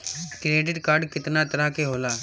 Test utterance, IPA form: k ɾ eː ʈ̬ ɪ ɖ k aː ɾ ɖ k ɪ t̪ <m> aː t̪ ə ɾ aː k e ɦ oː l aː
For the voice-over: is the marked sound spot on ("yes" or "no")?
no